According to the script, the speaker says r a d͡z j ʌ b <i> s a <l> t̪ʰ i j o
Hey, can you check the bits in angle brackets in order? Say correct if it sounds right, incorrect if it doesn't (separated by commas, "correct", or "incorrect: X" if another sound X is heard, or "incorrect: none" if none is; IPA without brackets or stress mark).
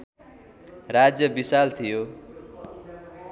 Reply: correct, correct